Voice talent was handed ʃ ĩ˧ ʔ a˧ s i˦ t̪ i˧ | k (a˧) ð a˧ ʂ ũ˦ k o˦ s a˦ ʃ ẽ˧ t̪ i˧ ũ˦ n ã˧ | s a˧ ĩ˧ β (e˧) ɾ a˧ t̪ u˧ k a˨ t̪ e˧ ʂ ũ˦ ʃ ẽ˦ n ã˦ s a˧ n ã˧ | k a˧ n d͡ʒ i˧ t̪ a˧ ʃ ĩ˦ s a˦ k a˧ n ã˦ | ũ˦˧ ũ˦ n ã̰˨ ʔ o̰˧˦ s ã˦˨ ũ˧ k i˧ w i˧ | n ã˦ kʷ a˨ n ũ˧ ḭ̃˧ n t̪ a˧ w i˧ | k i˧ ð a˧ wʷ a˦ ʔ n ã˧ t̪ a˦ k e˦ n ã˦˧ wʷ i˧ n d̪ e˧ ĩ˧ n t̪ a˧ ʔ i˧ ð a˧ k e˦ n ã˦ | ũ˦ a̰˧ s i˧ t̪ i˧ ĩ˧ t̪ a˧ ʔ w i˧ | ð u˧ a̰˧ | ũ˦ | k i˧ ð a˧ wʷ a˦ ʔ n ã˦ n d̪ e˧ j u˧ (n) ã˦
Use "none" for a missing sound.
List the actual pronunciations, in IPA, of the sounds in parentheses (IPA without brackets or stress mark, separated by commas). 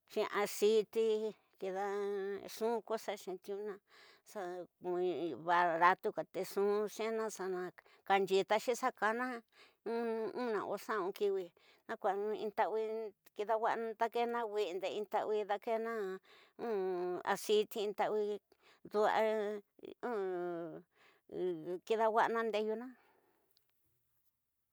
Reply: i˧, a˧, n